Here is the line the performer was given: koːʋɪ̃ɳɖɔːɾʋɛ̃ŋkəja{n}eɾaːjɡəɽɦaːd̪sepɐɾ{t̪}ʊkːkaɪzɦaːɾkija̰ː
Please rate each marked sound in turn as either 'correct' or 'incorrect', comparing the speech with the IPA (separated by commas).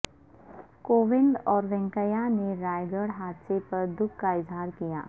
correct, incorrect